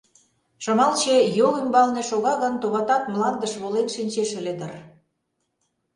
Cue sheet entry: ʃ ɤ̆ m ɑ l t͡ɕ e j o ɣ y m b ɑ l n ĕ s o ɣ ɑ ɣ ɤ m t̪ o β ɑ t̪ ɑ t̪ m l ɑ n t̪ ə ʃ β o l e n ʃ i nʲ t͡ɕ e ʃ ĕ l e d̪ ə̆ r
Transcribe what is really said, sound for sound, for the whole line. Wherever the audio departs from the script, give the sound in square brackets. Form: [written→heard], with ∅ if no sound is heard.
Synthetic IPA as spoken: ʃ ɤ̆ m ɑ l t͡ɕ e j o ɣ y m b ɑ l n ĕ [s→ʃ] o ɣ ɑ ɣ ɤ [m→n] t̪ o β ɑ t̪ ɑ t̪ m l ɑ n [t̪→d̪] ə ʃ β o l e n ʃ i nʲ t͡ɕ e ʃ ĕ l e d̪ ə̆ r